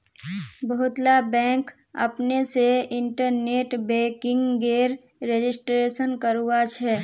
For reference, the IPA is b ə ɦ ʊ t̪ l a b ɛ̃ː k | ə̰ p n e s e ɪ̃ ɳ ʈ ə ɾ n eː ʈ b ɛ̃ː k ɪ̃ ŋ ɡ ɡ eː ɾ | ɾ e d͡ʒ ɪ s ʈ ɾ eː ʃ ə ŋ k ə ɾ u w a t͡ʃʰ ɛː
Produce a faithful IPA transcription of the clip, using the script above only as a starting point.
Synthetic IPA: b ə ɦ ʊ t̪ l a b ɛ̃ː k | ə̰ p n e s e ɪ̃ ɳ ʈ ə ɾ n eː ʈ b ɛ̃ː k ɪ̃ ŋ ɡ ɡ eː ɾ | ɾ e d͡ʒ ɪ s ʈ ɾ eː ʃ ə n k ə ɾ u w a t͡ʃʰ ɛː